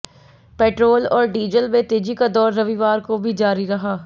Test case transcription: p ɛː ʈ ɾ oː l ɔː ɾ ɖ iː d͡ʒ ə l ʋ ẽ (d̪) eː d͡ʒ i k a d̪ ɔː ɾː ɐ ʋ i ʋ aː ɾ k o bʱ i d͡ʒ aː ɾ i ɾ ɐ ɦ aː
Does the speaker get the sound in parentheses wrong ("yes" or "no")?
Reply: yes